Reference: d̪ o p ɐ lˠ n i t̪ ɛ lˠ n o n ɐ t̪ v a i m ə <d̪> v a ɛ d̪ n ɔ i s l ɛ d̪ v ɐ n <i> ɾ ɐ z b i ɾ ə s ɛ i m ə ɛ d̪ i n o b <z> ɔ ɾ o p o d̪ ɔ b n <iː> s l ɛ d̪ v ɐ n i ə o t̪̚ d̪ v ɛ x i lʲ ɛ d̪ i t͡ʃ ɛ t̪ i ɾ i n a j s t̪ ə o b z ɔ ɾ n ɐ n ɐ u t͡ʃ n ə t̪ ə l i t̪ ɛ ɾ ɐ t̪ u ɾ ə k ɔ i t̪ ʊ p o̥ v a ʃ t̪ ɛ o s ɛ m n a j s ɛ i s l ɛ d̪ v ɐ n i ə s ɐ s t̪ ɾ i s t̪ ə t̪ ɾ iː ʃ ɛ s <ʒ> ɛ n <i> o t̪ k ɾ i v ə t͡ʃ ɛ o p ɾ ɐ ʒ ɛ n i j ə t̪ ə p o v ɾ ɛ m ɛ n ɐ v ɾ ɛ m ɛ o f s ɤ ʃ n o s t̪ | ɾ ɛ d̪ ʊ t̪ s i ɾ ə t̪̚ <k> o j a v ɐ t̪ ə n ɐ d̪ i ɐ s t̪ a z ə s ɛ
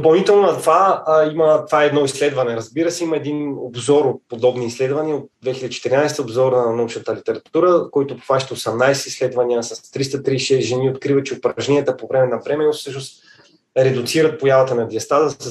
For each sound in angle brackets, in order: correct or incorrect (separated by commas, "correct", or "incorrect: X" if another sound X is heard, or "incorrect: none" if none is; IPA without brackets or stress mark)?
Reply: incorrect: t̪, incorrect: ɛ, correct, correct, correct, correct, incorrect: p